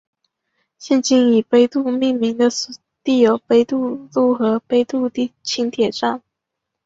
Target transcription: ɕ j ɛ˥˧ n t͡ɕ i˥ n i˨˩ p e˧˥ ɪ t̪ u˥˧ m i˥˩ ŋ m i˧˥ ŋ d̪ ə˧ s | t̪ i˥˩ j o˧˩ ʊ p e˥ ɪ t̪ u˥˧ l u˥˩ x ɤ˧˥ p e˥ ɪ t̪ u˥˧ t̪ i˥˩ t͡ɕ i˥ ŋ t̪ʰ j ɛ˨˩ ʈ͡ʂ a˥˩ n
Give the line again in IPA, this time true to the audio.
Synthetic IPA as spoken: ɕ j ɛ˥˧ n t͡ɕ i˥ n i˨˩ p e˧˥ ɪ t̪ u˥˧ m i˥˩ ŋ m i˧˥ ŋ d̪ ə˧ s | t̪ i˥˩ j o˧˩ ʊ p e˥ ɪ t̪ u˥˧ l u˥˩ x ɤ˧˥ p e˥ ɪ t̪ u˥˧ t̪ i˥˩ t͡ɕʰ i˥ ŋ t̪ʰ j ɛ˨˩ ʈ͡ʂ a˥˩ n

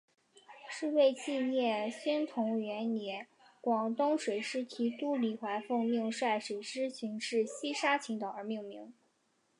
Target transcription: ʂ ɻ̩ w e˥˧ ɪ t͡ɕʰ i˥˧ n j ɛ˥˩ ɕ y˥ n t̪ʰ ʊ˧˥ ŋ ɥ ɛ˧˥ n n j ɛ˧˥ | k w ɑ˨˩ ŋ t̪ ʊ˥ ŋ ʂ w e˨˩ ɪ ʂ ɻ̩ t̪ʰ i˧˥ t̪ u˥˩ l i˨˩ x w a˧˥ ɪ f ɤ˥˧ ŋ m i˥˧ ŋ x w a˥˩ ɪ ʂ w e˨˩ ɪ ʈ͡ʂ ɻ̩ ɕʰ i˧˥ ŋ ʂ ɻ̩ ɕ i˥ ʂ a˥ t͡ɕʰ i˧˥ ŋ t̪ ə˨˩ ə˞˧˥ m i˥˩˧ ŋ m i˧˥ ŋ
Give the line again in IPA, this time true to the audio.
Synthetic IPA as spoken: ʂ ɻ̩ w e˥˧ ɪ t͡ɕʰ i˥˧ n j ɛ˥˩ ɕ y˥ n t̪ʰ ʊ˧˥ ŋ ɥ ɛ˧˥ n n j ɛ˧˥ | k w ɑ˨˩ ŋ t̪ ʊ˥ ŋ ʂ w e˨˩ ɪ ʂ ɻ̩ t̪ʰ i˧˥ t̪ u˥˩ l i˨˩ x w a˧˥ ɪ f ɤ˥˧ ŋ m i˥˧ ŋ ʂ w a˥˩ ɪ ʂ w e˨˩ ɪ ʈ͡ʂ ɻ̩ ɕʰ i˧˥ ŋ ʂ ɻ̩ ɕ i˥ ʂ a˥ t͡ɕʰ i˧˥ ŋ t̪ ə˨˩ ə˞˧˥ m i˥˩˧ ŋ m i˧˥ ŋ

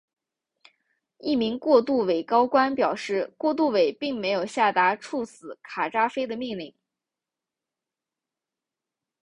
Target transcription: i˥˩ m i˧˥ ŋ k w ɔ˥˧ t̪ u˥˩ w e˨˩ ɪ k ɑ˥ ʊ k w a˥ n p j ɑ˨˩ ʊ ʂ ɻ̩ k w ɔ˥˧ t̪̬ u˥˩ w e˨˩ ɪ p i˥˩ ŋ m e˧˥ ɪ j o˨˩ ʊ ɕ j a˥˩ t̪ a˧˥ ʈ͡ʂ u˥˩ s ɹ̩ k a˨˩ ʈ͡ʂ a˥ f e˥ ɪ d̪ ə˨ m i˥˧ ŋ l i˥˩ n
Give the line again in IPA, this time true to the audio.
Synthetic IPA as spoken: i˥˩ m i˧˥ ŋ k w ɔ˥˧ t̪ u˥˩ w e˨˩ ɪ k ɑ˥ ʊ k w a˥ n p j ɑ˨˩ ʊ ʂ ɻ̩ k w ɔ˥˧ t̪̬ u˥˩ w e˨˩ ɪ p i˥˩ ŋ m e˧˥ ɪ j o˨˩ ʊ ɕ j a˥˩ t̪ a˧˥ ʈ͡ʂʰ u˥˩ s ɹ̩ kʰ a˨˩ ʈ͡ʂ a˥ f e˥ ɪ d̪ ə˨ m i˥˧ ŋ l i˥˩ ŋ

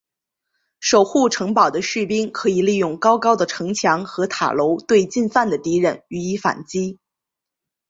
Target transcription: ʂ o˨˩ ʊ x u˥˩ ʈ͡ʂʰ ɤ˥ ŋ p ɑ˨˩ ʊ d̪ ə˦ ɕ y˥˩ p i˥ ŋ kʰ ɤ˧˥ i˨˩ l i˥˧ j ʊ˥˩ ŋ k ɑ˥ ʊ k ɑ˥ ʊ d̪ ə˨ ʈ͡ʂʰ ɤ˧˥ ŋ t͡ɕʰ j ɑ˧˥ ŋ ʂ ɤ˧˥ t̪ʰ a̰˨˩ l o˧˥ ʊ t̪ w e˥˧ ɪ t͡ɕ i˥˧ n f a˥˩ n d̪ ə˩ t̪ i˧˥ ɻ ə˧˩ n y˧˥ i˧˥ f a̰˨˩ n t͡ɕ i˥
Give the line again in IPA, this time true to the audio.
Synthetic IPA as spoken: ʂ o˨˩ ʊ x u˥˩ ʈ͡ʂʰ ɤ˧˥ ŋ p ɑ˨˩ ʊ d̪ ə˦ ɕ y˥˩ p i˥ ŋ kʰ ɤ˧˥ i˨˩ l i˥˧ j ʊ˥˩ ŋ k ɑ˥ ʊ k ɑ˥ ʊ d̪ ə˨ ʈ͡ʂʰ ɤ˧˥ ŋ t͡ɕʰ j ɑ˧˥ ŋ x ɤ˧˥ t̪ʰ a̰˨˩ l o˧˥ ʊ t̪ w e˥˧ ɪ t͡ɕ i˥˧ n f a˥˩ n d̪ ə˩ t̪ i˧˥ ɻ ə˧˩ n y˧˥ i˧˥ f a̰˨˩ n t͡ɕ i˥

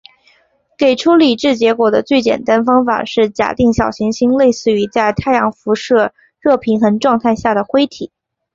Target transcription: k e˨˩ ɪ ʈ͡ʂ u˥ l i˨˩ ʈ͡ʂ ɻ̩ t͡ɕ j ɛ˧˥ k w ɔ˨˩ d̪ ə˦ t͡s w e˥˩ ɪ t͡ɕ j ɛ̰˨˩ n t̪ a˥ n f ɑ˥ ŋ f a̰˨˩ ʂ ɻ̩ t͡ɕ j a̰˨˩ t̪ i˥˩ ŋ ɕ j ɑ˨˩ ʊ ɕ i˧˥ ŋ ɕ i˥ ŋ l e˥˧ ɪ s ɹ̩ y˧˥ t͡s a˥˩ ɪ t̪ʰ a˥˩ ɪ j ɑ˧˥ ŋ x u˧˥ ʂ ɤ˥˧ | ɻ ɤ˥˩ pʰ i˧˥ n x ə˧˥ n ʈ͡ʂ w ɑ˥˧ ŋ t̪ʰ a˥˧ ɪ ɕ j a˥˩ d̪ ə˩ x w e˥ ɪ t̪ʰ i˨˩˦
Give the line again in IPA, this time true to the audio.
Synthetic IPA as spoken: k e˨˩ ɪ ʈ͡ʂʰ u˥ l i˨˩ ʈ͡ʂ ɻ̩ t͡ɕ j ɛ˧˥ k w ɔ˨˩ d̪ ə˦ t͡s w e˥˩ ɪ t͡ɕ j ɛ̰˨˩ n t̪ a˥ n f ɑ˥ ŋ f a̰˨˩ ʂ ɻ̩ t͡ɕ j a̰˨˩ t̪ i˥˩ ŋ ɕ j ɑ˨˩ ʊ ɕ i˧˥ ŋ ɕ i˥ ŋ l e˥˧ ɪ s ɹ̩ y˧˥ t͡s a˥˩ ɪ t̪ʰ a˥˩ ɪ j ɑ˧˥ ŋ f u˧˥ ʂ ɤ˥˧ | ɻ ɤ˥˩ pʰ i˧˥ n x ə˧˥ n ʈ͡ʂ w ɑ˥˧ ŋ t̪ʰ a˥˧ ɪ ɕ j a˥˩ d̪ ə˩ x w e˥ ɪ t̪ʰ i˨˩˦

